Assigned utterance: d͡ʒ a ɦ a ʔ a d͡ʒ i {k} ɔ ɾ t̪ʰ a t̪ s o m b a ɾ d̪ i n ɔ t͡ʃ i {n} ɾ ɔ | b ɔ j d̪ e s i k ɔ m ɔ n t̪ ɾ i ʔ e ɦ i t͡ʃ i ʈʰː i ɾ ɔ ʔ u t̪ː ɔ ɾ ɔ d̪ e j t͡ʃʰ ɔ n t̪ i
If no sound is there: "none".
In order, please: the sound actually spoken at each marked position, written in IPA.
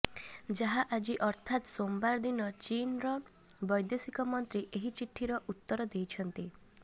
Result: ʔ, n

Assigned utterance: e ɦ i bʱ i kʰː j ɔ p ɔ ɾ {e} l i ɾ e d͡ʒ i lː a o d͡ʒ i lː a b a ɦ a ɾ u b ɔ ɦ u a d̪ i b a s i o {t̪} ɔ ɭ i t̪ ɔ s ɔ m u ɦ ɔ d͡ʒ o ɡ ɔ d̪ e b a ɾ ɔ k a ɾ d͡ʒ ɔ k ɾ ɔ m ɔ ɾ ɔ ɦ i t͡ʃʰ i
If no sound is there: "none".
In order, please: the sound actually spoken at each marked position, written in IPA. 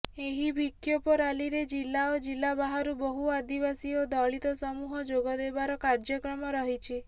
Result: a, d̪

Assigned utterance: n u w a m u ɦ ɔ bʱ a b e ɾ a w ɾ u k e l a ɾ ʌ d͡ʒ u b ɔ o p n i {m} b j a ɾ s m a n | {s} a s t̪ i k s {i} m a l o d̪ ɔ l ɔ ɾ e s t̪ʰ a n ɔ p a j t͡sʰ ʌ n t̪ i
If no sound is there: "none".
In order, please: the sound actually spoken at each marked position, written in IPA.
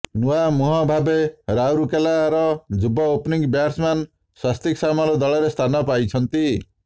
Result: ŋ, s, a

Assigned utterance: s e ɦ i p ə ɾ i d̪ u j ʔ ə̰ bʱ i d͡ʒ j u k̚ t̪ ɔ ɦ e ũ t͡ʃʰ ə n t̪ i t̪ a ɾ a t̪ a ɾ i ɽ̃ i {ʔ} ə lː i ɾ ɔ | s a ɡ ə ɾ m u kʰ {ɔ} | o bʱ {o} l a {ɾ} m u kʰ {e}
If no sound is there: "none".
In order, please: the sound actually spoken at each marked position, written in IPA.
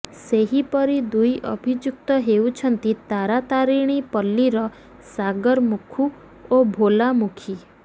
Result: p, u, o, none, i

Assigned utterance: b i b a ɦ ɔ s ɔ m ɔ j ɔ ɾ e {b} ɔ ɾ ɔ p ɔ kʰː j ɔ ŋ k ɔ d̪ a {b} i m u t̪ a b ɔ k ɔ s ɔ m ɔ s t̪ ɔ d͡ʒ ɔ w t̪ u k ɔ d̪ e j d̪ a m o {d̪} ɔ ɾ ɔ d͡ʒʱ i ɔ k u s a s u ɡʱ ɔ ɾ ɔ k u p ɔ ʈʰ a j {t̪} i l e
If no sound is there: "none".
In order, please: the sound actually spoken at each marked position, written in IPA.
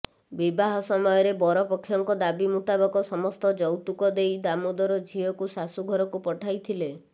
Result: b, b, d̪, t̪ʰ

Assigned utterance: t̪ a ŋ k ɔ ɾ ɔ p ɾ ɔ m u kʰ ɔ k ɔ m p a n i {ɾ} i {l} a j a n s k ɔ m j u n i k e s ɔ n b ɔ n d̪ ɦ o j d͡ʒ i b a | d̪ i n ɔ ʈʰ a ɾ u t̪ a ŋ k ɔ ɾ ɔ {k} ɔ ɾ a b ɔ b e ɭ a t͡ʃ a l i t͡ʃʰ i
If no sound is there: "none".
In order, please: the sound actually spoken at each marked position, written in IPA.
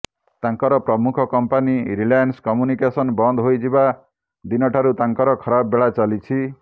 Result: ɾ, l, kʰ

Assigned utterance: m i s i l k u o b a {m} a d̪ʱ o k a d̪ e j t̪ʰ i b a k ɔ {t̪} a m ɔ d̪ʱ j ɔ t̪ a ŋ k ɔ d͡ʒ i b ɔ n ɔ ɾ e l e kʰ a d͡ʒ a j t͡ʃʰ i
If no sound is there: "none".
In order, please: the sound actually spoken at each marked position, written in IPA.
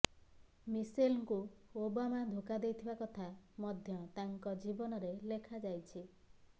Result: m, t̪ʰ

